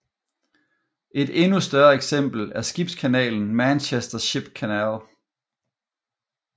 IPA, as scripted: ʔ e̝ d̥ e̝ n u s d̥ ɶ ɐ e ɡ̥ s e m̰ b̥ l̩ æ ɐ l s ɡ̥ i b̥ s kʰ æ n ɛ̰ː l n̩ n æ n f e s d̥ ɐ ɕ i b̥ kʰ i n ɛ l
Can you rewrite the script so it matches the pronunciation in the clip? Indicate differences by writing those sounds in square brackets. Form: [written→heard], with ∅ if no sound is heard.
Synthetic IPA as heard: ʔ e̝ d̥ e̝ n u s d̥ ɶ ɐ e ɡ̥ s e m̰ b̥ l̩ æ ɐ [l→∅] s ɡ̥ i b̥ s kʰ æ n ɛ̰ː l n̩ [n→m] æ n [f→ɕ] e s d̥ ɐ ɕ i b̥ kʰ [i→æ] n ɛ l